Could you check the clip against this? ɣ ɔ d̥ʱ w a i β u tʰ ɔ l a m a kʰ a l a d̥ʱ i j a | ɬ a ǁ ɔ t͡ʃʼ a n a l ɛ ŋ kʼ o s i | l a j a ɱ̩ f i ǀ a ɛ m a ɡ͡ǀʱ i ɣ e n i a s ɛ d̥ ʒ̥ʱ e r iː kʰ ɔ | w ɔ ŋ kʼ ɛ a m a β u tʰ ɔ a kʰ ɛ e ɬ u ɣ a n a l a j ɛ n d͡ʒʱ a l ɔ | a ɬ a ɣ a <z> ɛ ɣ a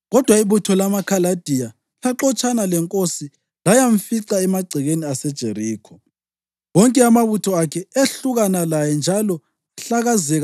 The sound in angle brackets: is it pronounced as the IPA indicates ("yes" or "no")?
yes